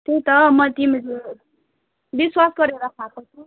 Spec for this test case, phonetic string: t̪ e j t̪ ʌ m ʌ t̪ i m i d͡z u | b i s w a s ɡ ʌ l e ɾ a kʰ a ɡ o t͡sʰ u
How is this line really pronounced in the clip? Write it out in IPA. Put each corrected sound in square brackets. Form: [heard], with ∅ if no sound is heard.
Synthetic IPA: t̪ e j t̪ ʌ m ʌ t̪ i m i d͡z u | b i s w a s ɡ ʌ [ɾ] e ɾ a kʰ a [k] o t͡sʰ u